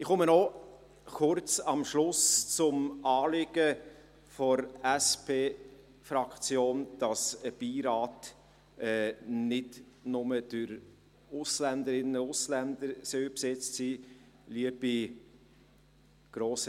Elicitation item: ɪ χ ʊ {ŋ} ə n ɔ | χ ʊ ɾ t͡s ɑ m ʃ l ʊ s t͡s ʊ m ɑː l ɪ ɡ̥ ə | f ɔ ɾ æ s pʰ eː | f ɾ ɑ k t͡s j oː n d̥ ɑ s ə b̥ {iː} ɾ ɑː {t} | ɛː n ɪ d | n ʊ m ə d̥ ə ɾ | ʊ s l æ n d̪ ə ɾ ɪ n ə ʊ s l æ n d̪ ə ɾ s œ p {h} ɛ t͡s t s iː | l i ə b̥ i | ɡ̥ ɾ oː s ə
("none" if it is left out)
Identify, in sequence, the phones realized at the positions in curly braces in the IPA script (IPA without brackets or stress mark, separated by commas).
m, iː, t, s